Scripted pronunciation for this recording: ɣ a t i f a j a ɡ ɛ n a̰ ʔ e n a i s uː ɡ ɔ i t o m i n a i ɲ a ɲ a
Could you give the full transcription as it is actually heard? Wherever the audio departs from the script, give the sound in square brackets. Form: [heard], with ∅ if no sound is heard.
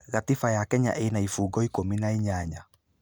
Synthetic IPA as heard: ɣ a t i f a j a [k] ɛ [ɲ] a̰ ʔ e n a i [f] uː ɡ ɔ i [k] o m i n a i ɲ a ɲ a